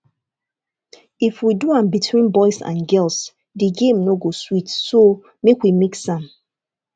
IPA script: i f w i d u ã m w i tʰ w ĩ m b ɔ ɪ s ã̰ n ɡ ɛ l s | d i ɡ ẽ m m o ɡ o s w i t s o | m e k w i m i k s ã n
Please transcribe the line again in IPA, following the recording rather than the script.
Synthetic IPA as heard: i f w i d u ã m b i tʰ w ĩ n b ɔ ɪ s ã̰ n ɡ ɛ l s | d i ɡ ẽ m n o ɡ o s w i t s o | m e k w i m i k s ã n